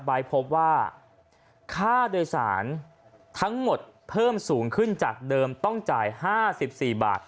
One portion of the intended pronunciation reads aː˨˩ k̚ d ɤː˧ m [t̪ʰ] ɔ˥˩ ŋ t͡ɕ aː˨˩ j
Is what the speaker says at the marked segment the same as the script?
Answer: no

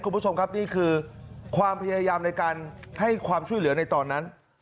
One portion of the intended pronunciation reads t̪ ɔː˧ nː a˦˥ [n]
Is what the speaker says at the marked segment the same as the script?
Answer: yes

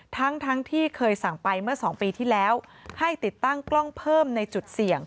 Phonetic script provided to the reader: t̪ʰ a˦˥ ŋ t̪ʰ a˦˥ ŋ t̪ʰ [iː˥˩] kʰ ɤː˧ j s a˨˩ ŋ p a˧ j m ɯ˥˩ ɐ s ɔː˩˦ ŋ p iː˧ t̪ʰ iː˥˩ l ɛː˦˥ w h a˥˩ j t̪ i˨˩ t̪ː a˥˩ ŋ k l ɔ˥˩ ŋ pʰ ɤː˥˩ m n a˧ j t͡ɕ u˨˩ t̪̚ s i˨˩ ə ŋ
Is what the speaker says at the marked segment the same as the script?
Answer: yes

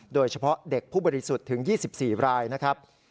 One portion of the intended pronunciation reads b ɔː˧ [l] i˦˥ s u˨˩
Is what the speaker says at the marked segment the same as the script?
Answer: no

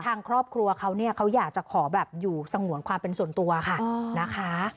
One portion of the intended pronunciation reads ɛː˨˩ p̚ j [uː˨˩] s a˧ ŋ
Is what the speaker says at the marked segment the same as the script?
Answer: yes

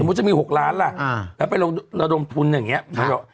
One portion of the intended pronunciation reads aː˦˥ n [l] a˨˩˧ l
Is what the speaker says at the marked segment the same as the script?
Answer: yes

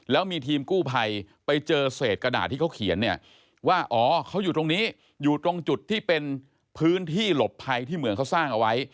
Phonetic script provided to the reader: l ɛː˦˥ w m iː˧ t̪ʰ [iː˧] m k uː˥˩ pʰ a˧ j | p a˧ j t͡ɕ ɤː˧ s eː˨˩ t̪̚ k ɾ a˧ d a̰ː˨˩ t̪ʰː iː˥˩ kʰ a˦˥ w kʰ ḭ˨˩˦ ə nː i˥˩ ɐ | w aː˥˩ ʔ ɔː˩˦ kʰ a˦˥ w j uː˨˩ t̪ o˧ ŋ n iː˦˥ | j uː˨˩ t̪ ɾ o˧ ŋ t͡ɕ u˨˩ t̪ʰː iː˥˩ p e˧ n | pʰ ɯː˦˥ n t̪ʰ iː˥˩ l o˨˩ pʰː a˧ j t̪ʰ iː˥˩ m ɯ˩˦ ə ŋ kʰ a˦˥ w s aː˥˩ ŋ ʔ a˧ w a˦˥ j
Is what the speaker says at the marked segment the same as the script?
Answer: yes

